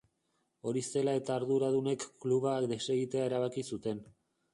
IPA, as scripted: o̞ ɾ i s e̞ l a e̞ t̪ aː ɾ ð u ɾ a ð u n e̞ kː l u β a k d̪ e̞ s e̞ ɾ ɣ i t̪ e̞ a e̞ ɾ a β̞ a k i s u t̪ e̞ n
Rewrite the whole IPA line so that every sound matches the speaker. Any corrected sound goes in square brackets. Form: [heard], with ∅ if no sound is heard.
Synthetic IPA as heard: o̞ ɾ i s e̞ l a e̞ t̪ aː ɾ ð u ɾ a ð u n e̞ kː l u β a k d̪ e̞ s e̞ [∅] ɣ i t̪ e̞ a e̞ ɾ a β̞ a k i s u t̪ e̞ n

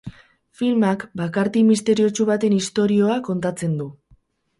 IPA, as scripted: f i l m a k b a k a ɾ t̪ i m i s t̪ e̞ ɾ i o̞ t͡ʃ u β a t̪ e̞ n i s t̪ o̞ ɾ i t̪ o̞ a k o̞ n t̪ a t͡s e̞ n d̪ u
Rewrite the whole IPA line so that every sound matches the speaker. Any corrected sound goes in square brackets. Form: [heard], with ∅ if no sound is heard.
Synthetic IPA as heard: f i l m a k b a k a ɾ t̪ i m i s t̪ e̞ ɾ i o̞ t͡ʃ u β a t̪ e̞ n i s t̪ o̞ ɾ i [∅] o̞ a k o̞ n t̪ a t͡s e̞ n d̪ u

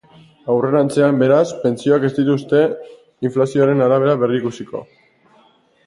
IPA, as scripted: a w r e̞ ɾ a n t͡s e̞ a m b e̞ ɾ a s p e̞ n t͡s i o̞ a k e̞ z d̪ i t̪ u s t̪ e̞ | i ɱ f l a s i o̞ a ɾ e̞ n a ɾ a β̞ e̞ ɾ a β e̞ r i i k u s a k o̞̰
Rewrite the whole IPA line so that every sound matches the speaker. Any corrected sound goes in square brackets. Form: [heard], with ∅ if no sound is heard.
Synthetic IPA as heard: a w r e̞ ɾ a n t͡s e̞ a m b e̞ ɾ a s p e̞ n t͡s i o̞ a k e̞ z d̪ i t̪ u s t̪ e̞ | i ɱ f l a s i o̞ a ɾ e̞ n a ɾ a β̞ e̞ ɾ a β e̞ r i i k u s [i] k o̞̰

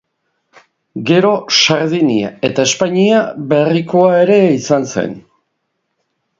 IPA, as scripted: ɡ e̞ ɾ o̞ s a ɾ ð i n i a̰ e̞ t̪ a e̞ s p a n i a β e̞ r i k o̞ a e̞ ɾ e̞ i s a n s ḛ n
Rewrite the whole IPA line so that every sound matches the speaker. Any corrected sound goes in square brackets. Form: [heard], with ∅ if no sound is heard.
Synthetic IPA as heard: ɡ e̞ ɾ o̞ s a ɾ ð i n i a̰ e̞ t̪ a e̞ s p a [ɲ] i a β e̞ r i k o̞ a e̞ ɾ e̞ i s a n s ḛ n

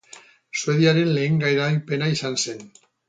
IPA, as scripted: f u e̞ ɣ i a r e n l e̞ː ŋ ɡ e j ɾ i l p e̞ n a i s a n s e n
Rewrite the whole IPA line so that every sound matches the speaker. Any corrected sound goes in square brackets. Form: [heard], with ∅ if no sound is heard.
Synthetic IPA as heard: [s] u e̞ [ð] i a [ɾ] e n l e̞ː ŋ ɡ [a] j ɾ [a] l p e̞ n a i s a n s e n

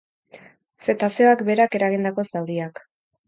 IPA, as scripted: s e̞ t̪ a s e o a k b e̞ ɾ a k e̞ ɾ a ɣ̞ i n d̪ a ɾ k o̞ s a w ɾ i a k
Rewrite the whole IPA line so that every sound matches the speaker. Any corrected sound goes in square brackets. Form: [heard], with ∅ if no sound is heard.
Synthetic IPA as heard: s e̞ t̪ a s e o a k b e̞ ɾ a k e̞ ɾ a ɣ̞ i n d̪ a [∅] k o̞ s a w ɾ i a k

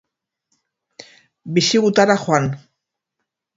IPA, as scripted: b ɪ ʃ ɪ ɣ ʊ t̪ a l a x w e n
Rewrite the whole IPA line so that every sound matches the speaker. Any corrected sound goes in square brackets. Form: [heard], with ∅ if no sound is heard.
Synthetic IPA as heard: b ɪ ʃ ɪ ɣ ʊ t̪ a [ɾ] a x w [a] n

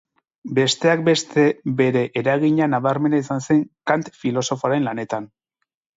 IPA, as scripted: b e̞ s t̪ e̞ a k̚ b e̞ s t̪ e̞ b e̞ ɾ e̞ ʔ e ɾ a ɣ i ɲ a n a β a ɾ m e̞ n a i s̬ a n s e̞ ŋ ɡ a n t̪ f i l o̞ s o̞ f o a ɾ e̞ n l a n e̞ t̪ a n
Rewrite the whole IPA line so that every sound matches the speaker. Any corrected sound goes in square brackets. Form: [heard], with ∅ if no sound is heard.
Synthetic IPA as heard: b e̞ s t̪ e̞ a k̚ b e̞ s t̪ e̞ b e̞ ɾ e̞ ʔ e ɾ a ɣ i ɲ a n a β a ɾ m e̞ n a i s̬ a n s e̞ ŋ [k] a n t̪ f i l o̞ s o̞ f o a ɾ e̞ n l a n e̞ t̪ a n

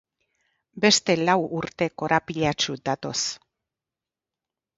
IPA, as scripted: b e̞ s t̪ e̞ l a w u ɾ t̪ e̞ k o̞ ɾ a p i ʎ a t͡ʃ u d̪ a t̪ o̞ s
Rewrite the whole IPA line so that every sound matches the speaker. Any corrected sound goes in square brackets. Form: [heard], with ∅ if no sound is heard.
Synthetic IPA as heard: b e̞ s t̪ e̞ l a w u ɾ t̪ e̞ k o̞ ɾ a p i ʎ a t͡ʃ u d̪ a t̪ o̞ s

